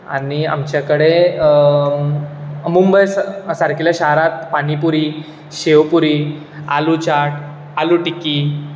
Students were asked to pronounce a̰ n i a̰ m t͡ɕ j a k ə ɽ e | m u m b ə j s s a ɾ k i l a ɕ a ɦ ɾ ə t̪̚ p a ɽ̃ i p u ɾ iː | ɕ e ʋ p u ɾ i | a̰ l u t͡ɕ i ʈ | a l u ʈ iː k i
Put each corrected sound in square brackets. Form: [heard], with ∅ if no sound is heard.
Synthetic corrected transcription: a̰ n i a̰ m t͡ɕ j a k ə ɽ e | m u m b ə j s s a ɾ k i l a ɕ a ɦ ɾ [a] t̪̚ p a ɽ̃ i p u ɾ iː | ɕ e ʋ p u ɾ i | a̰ l u t͡ɕ [a] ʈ | a l u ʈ [i] k i

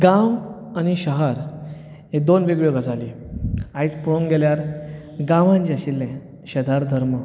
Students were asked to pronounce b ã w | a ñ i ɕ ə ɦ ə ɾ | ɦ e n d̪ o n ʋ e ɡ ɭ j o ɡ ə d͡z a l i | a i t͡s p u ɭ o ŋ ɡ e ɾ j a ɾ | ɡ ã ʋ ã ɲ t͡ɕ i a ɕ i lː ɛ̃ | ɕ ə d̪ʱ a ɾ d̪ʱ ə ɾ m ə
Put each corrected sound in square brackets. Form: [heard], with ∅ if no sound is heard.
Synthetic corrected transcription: [ɡ] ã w | a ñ i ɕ ə ɦ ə ɾ | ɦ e [∅] d̪ o n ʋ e ɡ ɭ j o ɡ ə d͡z a l i | a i t͡s p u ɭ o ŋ ɡ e [l] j a ɾ | ɡ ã ʋ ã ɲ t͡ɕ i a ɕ i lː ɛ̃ | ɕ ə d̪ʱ a ɾ d̪ʱ ə ɾ m ə

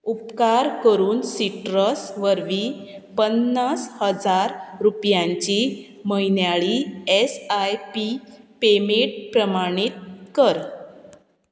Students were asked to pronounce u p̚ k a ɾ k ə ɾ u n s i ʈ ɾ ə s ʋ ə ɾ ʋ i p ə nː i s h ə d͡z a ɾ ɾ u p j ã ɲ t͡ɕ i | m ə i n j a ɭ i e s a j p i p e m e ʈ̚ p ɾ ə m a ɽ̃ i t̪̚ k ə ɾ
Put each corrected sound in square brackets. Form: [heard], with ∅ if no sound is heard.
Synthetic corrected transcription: u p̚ k a ɾ k ə ɾ [uː] n s i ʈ ɾ ə s ʋ ə ɾ ʋ i p ə nː [a] s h ə d͡z a ɾ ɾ u p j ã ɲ t͡ɕ i | m ə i n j a ɭ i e s a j p i p e m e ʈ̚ p ɾ ə m a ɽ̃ i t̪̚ k ə ɾ

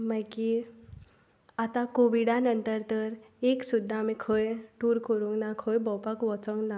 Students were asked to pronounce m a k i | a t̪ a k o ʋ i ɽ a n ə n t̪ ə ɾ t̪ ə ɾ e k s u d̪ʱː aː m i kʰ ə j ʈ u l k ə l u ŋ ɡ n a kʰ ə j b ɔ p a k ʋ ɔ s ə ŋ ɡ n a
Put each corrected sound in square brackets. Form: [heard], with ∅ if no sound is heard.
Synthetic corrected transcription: m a k i | a t̪ a k o ʋ i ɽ a n ə n t̪ ə ɾ t̪ ə ɾ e k s u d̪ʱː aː m i kʰ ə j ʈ u [ɾ] k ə [ɾ] u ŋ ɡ n a kʰ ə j b ɔ p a k ʋ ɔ [t͡s] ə ŋ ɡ n a

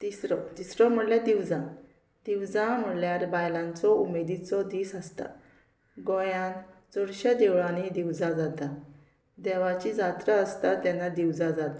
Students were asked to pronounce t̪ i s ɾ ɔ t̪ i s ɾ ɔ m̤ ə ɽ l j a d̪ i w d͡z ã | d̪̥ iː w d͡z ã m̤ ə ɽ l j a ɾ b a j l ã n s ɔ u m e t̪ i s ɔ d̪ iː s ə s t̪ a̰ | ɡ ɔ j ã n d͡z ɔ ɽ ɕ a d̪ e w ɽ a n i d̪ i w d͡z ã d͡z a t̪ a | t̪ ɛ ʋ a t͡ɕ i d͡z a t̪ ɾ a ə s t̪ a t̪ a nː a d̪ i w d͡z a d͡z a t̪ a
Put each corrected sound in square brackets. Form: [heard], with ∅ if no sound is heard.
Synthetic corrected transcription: t̪ i s ɾ ɔ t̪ i s ɾ ɔ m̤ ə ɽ l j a d̪ i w d͡z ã | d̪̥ [i] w d͡z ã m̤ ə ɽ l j a ɾ b a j l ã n [t͡s] ɔ u m e [d̪] i [t͡s] ɔ d̪ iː s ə s t̪ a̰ | ɡ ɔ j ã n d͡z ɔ ɽ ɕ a d̪ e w [ɭ] a n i d̪ i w d͡z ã d͡z a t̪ a | [d̪] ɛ ʋ a t͡ɕ i d͡z a t̪ ɾ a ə s t̪ a t̪ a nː a d̪ i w d͡z a d͡z a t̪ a

